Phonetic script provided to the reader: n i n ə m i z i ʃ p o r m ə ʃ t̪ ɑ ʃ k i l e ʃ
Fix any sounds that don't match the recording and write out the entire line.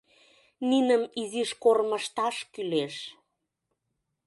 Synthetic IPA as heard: n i n ə m i z i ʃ k o r m ə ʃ t̪ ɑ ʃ k y l e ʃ